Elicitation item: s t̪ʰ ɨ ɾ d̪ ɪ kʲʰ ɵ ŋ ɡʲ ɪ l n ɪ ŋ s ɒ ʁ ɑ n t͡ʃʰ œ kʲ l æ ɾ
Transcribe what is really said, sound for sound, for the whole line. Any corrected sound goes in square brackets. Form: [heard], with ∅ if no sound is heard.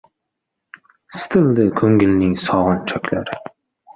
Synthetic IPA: s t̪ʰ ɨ [l] d̪ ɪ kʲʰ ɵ ŋ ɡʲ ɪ l n ɪ ŋ s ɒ ʁ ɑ n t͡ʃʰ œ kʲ l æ ɾ